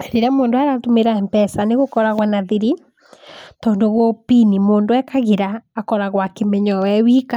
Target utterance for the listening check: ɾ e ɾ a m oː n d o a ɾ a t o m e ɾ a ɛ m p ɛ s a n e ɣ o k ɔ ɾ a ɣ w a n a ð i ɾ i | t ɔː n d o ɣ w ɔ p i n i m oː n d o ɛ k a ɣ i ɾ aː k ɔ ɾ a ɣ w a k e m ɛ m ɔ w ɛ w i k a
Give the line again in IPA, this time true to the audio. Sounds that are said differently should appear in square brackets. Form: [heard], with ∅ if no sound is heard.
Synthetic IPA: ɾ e ɾ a m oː n d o a ɾ a t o m e ɾ a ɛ m p ɛ s a n e ɣ o k ɔ ɾ a ɣ w a n a ð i ɾ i | t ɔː n d o ɣ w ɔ p i n i m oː n d o ɛ k a ɣ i ɾ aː k ɔ ɾ a ɣ w a k e m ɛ [ɲ] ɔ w ɛ w i k a